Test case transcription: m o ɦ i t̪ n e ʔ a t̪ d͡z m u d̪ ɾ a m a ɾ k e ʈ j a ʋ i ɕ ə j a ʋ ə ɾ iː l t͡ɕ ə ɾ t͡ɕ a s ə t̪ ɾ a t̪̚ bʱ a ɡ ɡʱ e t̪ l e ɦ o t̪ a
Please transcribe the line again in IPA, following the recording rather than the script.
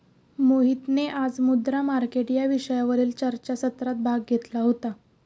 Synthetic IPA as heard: m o ɦ i t̪ n e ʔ a d͡z m u d̪ ɾ a m a ɾ k e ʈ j a ʋ i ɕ ə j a ʋ ə ɾ iː l t͡ɕ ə ɾ t͡ɕ a s ə t̪ ɾ a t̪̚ bʱ a ɡ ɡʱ e t̪ l a ɦ o t̪ a